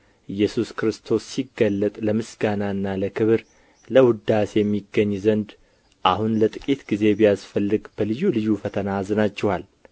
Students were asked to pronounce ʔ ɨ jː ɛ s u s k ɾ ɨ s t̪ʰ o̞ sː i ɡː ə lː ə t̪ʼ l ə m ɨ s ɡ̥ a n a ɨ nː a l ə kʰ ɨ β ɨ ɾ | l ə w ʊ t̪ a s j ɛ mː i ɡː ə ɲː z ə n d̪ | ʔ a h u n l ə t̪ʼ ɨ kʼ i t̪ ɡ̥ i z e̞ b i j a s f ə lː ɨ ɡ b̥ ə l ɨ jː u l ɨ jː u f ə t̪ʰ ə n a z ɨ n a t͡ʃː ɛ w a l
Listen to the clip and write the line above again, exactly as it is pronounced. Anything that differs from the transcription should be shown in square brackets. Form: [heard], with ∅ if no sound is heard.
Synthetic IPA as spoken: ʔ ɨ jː ɛ s u s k ɾ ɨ s t̪ʰ o̞ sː i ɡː ə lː ə t̪ʼ l ə m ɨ s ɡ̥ a n a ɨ nː a l ə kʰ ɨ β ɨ ɾ | l ə w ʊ [d̪] a s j ɛ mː i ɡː ə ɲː z ə n d̪ | ʔ a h u n l ə t̪ʼ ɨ kʼ i t̪ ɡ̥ i z e̞ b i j a s f ə lː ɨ ɡ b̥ ə l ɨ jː u l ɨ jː u f ə t̪ʰ ə n a z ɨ n a t͡ʃː ɛ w a l